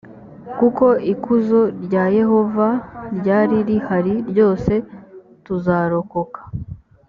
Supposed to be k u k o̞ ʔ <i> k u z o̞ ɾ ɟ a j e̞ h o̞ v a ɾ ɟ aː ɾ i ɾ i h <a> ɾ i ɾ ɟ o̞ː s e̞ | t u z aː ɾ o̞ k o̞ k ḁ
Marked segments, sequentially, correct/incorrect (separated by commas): correct, correct